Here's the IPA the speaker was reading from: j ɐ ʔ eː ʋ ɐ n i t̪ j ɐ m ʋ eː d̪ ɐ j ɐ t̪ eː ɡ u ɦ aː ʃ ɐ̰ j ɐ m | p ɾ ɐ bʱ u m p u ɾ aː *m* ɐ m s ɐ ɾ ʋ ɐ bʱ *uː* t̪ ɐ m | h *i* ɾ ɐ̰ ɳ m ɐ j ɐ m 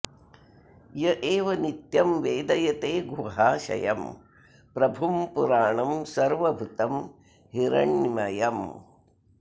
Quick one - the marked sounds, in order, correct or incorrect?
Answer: incorrect: ɳ, incorrect: u, correct

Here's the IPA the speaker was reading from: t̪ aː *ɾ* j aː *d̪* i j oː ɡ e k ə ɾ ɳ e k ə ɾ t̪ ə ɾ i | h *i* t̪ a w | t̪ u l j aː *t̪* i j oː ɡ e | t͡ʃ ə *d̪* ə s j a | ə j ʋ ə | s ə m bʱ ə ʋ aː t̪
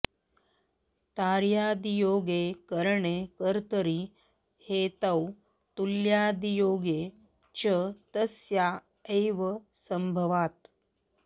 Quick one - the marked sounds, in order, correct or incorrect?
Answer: correct, correct, incorrect: e, incorrect: d̪, incorrect: t̪

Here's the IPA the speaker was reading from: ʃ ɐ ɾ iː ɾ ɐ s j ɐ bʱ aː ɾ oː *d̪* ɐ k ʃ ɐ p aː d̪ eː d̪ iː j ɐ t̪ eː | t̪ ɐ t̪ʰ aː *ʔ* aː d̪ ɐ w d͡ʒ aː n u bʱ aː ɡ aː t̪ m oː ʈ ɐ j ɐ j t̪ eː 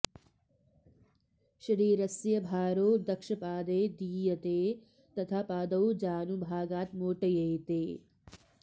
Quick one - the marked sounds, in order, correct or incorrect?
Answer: correct, incorrect: p

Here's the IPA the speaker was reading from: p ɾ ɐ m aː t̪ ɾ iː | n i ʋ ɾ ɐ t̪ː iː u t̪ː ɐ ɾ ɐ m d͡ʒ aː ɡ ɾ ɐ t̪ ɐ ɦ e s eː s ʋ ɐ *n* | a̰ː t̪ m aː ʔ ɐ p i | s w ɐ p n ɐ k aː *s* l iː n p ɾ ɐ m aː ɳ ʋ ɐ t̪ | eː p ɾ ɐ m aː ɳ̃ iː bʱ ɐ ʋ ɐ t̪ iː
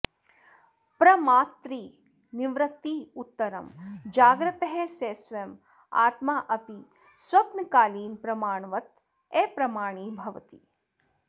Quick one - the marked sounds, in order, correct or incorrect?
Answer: incorrect: m, incorrect: none

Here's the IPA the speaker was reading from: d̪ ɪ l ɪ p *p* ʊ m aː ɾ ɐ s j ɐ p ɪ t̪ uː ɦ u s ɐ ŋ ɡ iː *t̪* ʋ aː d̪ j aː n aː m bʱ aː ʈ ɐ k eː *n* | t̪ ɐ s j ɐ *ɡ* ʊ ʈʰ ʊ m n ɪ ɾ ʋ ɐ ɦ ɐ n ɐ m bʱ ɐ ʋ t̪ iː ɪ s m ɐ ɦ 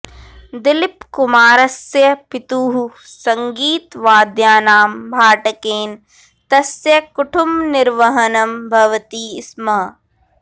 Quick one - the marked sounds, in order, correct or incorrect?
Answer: incorrect: k, correct, correct, incorrect: k

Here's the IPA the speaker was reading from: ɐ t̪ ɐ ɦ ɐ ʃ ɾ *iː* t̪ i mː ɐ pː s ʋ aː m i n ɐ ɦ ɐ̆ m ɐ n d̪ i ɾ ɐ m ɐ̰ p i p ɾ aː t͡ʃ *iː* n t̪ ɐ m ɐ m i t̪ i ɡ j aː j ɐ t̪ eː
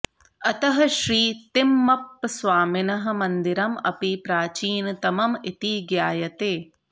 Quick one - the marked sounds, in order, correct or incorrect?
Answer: correct, correct

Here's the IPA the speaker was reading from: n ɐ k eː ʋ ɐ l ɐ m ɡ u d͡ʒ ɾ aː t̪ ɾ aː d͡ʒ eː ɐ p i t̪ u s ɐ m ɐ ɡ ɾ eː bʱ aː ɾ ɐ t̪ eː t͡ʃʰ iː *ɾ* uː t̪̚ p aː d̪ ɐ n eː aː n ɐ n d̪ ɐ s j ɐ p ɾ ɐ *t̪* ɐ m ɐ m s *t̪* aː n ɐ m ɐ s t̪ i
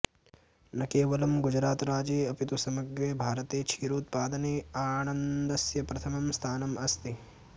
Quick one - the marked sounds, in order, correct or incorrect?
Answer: correct, incorrect: t̪ʰ, incorrect: t̪ʰ

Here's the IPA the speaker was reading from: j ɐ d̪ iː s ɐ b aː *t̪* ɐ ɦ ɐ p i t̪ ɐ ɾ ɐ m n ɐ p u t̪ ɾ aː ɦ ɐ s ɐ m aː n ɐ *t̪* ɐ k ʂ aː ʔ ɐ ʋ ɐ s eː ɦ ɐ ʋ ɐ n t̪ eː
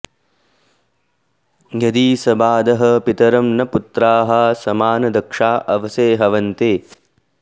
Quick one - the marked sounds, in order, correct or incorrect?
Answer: incorrect: d̪, incorrect: d̪

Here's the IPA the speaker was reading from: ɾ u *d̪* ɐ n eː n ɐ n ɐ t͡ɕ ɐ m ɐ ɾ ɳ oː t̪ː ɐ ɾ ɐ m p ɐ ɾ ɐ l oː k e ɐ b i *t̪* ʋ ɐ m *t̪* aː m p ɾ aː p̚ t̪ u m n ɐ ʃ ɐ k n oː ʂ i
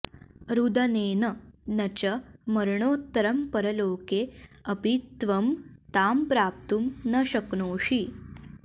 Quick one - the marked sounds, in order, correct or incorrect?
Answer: correct, correct, correct

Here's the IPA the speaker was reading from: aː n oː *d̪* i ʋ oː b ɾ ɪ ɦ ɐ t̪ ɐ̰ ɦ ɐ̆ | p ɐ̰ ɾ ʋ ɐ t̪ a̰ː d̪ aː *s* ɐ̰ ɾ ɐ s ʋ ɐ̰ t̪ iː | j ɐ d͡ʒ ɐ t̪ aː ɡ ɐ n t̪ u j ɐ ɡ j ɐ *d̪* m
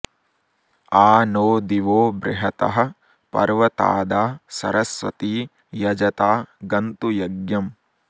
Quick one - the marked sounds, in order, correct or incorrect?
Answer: correct, correct, incorrect: none

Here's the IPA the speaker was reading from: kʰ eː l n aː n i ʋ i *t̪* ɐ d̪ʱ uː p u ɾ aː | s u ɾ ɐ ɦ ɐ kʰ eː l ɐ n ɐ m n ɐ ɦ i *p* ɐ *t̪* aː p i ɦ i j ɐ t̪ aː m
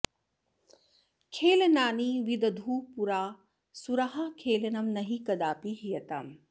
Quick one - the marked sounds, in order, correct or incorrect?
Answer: incorrect: d̪, incorrect: k, incorrect: d̪

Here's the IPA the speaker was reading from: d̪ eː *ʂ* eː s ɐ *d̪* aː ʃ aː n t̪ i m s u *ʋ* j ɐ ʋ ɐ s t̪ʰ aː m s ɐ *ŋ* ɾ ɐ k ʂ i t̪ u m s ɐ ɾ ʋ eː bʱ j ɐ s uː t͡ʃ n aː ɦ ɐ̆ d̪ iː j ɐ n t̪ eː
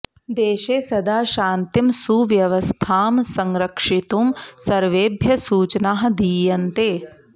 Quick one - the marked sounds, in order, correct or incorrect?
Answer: incorrect: ʃ, correct, correct, correct

